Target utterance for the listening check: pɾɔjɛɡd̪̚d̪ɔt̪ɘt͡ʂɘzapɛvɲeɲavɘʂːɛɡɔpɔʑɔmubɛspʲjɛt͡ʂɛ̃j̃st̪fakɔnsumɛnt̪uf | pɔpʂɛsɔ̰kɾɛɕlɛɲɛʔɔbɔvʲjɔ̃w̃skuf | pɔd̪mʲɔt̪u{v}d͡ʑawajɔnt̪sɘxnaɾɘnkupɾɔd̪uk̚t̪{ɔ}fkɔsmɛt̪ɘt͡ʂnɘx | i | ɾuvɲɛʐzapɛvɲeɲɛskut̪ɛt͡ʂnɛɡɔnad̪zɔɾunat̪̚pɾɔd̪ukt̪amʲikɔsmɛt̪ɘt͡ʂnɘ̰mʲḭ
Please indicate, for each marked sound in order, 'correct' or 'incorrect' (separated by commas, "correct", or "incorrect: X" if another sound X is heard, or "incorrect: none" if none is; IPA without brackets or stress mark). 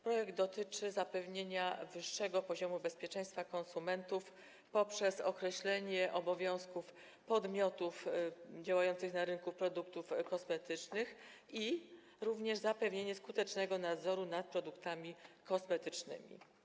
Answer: incorrect: f, incorrect: u